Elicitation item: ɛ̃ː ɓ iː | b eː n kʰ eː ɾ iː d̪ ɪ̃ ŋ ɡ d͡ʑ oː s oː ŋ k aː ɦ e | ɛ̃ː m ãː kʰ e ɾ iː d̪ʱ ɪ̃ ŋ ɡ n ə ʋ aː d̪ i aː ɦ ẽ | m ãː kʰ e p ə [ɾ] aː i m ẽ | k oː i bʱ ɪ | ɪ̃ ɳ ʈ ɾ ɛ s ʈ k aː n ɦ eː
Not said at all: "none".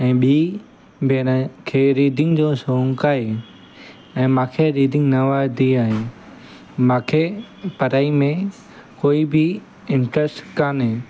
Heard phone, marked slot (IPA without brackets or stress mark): ɾ